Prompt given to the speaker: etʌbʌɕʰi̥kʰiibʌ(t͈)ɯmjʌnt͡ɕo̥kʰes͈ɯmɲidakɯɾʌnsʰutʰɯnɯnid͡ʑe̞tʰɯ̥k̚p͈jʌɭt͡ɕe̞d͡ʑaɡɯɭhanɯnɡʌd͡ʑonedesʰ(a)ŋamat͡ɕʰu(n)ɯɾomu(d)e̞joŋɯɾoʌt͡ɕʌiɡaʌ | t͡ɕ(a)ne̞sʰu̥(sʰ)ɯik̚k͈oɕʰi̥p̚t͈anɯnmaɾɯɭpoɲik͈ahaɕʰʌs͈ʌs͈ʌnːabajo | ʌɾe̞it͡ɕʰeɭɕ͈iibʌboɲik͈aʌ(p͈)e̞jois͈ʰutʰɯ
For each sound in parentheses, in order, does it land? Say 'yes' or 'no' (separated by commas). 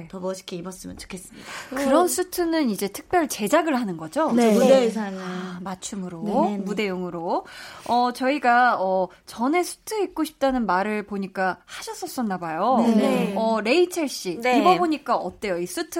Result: no, yes, no, yes, no, no, no